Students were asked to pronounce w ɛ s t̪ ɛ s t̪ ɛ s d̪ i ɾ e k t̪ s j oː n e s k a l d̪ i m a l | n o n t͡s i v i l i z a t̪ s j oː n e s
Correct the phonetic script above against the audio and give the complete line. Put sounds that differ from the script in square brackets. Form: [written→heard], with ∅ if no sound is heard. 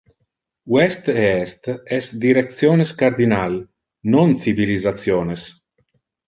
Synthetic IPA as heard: w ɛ s t̪ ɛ s t̪ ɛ s d̪ i ɾ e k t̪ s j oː n e s k a [l→ɾ] d̪ i [m→n] a l | n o n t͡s i v i l i z a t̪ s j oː n e s